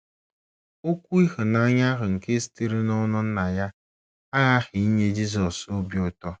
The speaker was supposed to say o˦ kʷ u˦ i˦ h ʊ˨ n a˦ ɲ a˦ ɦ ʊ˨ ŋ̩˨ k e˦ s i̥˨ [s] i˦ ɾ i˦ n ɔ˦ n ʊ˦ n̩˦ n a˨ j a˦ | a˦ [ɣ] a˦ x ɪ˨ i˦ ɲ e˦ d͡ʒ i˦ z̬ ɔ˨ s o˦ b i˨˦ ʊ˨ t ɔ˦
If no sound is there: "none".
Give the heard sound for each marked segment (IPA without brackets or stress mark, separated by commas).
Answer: t, ɣ